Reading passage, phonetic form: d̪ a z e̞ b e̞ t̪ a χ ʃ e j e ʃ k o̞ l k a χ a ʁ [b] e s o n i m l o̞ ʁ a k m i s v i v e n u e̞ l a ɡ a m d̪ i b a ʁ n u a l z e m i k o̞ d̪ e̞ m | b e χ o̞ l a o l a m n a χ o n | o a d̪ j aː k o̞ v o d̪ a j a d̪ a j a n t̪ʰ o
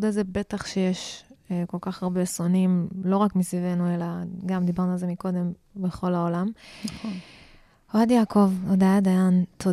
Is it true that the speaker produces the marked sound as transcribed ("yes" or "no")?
yes